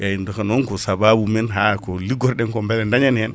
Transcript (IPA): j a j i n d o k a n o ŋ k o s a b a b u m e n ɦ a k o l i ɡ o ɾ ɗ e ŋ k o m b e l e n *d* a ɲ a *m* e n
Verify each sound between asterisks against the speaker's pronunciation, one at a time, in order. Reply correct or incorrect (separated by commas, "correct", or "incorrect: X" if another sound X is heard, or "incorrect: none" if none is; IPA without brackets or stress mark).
correct, incorrect: n